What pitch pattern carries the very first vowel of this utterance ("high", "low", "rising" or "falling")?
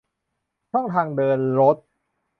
falling